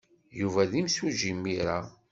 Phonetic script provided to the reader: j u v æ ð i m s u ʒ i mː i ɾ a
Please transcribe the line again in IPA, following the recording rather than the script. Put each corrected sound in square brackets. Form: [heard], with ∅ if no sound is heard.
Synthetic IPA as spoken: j u v æ ð i m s u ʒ i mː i ɾ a